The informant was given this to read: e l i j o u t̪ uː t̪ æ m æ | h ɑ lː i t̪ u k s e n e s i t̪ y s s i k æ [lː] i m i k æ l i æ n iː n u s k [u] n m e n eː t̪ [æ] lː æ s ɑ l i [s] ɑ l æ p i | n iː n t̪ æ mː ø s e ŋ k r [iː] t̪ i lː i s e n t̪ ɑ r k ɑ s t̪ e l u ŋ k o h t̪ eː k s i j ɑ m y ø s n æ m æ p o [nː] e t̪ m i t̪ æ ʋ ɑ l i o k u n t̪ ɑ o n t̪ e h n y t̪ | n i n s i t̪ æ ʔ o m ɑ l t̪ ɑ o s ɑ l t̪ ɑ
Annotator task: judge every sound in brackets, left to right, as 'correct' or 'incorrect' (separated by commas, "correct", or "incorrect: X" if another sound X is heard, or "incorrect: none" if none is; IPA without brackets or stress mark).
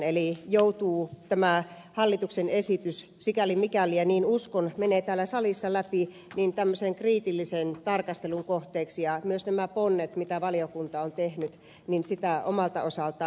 incorrect: l, incorrect: o, incorrect: æː, incorrect: sː, correct, correct